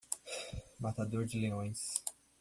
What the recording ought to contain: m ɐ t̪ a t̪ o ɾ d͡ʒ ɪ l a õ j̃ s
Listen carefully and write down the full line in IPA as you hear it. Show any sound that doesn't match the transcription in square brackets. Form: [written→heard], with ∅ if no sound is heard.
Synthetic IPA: m [ɐ→a] t̪ a [t̪→d̪] o ɾ d͡ʒ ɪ l [a→e] õ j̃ s